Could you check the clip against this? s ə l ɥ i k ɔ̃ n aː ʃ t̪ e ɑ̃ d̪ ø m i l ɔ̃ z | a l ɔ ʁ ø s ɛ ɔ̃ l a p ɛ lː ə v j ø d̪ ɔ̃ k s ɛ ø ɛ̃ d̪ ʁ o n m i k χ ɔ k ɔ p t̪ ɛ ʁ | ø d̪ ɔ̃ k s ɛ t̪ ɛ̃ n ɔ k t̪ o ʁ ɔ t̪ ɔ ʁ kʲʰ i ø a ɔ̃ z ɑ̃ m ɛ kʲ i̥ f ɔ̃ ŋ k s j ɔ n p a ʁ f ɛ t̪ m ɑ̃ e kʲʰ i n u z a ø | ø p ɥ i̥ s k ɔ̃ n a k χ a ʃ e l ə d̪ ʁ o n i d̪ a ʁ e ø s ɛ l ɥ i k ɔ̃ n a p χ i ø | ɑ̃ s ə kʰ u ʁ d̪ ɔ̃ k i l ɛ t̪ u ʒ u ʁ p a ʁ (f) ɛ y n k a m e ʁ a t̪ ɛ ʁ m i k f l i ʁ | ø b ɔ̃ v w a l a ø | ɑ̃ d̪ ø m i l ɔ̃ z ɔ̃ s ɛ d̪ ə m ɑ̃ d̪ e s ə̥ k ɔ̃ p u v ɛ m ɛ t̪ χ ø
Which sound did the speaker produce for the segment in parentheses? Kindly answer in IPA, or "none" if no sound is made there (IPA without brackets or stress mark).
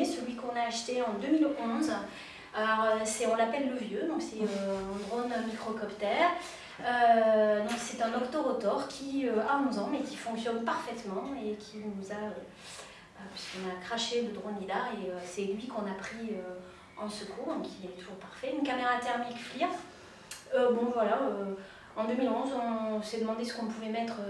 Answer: f